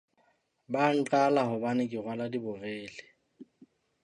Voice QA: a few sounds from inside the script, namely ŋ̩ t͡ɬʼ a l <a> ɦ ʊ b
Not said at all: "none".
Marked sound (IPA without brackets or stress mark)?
a